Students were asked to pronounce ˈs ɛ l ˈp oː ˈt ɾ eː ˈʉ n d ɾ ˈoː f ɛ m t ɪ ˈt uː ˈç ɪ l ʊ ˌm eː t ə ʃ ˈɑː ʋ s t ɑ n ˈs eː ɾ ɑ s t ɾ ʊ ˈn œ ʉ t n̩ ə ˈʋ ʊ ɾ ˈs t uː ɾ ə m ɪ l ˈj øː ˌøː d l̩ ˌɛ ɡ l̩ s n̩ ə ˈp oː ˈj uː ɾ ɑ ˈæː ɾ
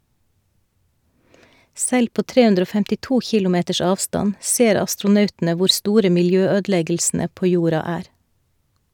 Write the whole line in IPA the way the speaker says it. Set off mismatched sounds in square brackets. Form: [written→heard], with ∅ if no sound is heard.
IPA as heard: ˈs ɛ l ˈp oː ˈt ɾ eː ˈʉ n d ɾ ˈoː f ɛ m t ɪ ˈt uː ˈç ɪ l ʊ ˌm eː t ə ʃ ˈɑː ʋ s t ɑ n ˈs eː ɾ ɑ s t ɾ ʊ ˈn œ ʉ t n̩ ə ˈʋ ʊ ɾ ˈs t uː ɾ ə m ɪ l ˈj øː ˌøː d l̩ ˌɛ ɡ l̩ s n̩ ə ˈp oː ˈj uː ɾ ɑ ˈæː ɾ